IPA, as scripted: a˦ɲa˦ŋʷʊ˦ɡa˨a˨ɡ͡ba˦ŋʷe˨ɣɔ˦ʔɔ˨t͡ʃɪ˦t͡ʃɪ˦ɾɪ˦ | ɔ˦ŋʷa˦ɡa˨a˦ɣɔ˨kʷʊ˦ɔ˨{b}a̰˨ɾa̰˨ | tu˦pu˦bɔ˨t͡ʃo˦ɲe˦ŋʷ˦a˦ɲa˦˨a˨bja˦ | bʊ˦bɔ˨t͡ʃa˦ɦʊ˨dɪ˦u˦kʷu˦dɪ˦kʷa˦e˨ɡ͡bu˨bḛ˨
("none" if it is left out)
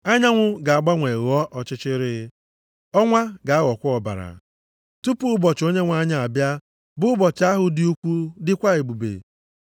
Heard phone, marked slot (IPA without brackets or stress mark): b